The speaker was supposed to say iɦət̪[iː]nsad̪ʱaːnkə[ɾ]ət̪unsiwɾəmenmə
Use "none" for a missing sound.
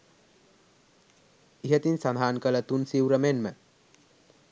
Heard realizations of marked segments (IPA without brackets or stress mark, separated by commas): i, l